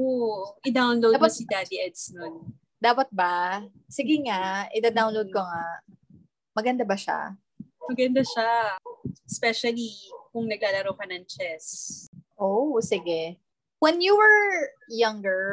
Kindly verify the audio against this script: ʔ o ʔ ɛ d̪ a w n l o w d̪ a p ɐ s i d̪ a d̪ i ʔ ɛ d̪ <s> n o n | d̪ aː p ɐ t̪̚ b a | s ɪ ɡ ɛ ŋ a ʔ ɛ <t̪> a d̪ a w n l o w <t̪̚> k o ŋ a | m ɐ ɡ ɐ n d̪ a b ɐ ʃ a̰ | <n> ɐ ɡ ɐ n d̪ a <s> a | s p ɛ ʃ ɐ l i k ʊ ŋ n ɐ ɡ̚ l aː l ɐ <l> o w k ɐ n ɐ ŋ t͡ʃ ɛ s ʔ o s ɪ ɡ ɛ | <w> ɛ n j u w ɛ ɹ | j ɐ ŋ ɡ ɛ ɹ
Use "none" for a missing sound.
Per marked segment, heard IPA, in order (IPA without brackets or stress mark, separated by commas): s, d̪, d̪̚, m, ʃ, ɾ, w